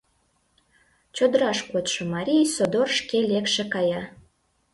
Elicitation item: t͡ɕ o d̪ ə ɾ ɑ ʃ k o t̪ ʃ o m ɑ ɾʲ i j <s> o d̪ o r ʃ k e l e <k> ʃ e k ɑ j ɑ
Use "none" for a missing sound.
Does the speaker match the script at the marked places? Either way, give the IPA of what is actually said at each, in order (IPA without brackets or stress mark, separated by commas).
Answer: s, k